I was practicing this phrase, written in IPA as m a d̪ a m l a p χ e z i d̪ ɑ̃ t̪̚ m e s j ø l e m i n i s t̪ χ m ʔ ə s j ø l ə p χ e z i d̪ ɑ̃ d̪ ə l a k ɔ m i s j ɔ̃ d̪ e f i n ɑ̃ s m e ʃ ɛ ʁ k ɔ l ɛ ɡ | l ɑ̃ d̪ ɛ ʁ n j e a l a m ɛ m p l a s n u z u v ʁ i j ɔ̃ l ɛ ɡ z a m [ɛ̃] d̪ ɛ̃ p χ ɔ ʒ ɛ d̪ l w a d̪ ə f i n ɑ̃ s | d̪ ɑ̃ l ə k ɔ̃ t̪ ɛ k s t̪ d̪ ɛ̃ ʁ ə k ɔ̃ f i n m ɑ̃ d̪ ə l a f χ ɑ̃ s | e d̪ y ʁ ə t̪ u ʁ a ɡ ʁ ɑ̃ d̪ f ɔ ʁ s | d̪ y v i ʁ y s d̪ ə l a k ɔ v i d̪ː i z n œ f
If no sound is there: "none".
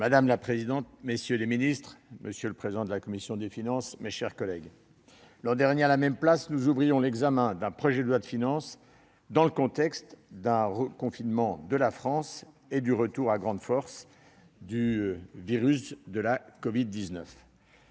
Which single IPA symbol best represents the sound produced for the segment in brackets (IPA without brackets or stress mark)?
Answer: ɛ̃